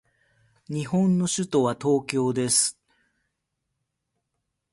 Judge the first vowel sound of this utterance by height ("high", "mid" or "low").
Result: high